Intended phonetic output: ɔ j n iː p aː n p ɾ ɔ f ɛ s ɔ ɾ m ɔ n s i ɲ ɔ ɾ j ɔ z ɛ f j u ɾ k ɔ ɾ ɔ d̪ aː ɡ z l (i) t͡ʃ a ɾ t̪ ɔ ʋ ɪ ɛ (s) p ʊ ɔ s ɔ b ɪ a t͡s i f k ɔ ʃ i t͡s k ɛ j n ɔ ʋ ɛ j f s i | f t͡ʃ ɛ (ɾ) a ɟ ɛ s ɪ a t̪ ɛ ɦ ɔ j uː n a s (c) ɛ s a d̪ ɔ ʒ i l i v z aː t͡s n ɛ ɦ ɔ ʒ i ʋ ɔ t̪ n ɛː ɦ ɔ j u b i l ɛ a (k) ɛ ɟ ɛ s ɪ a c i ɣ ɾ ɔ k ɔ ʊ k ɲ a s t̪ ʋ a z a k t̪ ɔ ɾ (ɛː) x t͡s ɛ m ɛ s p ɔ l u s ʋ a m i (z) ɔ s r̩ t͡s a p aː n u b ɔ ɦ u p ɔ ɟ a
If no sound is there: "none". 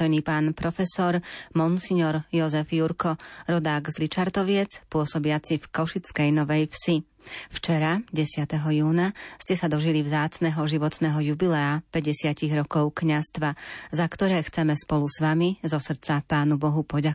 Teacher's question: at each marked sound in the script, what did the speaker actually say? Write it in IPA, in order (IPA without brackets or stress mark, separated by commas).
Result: i, t͡s, ɾ, c, p, ɛː, z